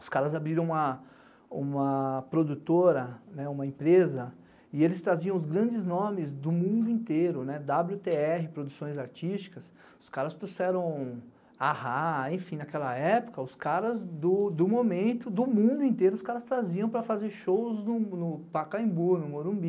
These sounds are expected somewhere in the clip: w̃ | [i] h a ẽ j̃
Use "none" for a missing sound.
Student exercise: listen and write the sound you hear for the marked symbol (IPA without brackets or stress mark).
a